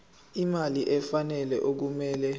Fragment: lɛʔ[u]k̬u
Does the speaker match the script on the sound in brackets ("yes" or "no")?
no